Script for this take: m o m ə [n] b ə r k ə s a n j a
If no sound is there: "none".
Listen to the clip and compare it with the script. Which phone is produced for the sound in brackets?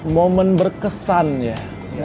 n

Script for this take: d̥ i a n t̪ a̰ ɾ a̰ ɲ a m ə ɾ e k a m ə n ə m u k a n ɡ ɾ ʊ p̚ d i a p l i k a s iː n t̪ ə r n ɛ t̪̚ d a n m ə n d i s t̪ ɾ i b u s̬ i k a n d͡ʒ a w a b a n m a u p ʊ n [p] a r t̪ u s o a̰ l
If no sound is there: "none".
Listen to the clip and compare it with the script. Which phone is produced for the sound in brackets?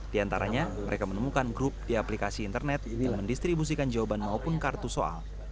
k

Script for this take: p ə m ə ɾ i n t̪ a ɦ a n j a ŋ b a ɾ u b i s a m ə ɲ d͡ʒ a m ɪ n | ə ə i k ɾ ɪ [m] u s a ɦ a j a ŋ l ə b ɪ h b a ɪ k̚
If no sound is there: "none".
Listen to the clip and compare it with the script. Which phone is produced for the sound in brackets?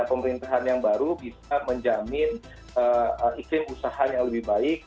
m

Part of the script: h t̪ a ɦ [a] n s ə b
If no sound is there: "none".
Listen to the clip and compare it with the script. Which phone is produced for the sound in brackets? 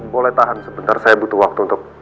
a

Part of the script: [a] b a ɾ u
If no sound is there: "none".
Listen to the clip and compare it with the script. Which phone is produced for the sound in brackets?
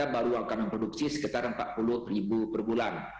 a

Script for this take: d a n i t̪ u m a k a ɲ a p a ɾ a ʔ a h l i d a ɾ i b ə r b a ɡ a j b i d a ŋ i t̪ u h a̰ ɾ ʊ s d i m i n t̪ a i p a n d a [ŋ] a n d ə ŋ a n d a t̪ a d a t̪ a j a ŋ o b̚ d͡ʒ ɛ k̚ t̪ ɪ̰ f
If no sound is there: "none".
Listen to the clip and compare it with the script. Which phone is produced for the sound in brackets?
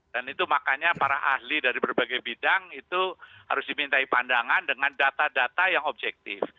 ŋ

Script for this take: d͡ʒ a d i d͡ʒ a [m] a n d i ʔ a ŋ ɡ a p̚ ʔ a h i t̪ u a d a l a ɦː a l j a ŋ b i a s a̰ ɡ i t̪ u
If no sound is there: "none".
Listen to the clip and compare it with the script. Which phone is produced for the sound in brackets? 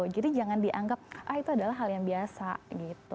ŋ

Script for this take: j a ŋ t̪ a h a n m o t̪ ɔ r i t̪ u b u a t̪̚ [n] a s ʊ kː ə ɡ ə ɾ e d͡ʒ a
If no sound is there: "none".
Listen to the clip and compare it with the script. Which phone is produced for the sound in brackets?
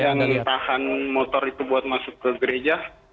m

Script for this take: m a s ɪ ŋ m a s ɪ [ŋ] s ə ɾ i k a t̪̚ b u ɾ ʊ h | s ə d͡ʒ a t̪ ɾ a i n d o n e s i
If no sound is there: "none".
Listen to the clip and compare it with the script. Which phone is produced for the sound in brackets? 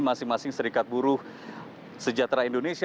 ŋ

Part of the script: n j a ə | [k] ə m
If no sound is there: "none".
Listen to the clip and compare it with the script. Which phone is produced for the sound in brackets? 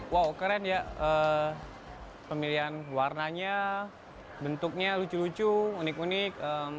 p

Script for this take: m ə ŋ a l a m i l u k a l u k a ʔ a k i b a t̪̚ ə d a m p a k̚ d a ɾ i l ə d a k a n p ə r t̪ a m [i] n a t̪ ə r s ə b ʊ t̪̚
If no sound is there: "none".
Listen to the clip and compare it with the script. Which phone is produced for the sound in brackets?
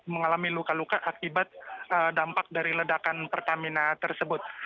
i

